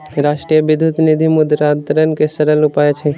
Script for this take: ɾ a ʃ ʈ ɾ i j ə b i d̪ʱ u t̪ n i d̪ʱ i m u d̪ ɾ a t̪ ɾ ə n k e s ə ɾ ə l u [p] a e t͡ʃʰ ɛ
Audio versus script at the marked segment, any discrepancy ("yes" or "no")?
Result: no